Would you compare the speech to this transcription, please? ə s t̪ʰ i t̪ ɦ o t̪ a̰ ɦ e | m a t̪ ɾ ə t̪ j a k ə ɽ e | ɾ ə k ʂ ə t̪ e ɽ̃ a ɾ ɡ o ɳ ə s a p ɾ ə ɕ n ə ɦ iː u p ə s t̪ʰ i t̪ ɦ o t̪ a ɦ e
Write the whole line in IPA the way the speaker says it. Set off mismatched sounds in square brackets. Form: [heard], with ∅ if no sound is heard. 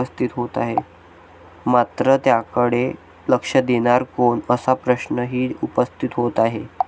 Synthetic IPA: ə s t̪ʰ i t̪ ɦ o t̪ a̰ ɦ e | m a t̪ ɾ ə t̪ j a k ə ɽ e | [l] ə k ʂ ə [d̪] e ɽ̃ a ɾ [k] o ɳ ə s a p ɾ ə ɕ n ə ɦ iː u p ə s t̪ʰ i t̪ ɦ o t̪ a ɦ e